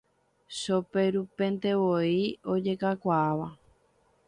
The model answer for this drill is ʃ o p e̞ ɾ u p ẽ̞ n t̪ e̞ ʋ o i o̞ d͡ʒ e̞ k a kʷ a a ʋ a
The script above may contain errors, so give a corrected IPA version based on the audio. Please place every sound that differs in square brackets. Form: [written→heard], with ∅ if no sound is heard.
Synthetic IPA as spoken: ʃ o p e̞ ɾ u p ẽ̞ n t̪ e̞ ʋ o i o̞ d͡ʒ e̞ k a kʷ a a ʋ a